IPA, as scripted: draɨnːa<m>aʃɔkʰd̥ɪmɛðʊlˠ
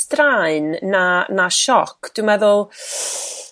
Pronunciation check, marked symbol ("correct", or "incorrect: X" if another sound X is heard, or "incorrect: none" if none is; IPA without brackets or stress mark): incorrect: n